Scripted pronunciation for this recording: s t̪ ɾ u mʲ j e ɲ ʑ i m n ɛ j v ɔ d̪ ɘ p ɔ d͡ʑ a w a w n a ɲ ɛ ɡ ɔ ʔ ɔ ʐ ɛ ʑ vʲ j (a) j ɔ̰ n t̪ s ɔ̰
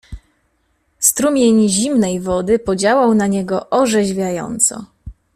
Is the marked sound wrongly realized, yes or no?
no